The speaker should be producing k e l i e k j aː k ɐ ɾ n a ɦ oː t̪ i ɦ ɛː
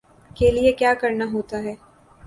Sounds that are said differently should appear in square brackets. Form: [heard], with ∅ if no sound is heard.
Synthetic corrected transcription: k e l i e k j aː k ɐ ɾ n a ɦ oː t̪ [a] ɦ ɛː